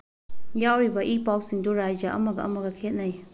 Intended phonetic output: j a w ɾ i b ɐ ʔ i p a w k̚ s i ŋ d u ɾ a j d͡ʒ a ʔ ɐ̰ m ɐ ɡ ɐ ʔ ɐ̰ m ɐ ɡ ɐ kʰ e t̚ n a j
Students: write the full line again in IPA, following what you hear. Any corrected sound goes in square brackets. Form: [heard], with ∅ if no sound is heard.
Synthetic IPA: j a w ɾ i b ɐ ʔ i p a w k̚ s i ŋ d u ɾ a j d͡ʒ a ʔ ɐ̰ m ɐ ɡ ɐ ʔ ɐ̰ m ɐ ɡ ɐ kʰ e t̚ n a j